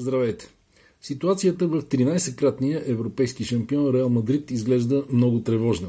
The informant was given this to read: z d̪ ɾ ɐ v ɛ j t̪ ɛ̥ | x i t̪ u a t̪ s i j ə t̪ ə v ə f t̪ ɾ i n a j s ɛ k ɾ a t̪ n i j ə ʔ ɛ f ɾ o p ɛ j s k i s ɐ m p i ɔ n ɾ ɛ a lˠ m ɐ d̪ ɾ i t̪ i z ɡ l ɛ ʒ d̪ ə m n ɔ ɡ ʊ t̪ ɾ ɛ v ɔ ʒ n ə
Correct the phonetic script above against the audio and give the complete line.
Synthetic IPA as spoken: z d̪ ɾ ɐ v ɛ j t̪ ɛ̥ | s i t̪ u a t̪ s i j ə t̪ ə v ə f t̪ ɾ i n a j s ɛ k ɾ a t̪ n i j ə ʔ ɛ v ɾ o p ɛ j s k i ʃ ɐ m p i ɔ n ɾ ɛ a lˠ m ɐ d̪ ɾ i t̪ i z ɡ l ɛ ʒ d̪ ə m n ɔ ɡ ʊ t̪ ɾ ɛ v ɔ ʒ n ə